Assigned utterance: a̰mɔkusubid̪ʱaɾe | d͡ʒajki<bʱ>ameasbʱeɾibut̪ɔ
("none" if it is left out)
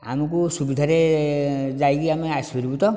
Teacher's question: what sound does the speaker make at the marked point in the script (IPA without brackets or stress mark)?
none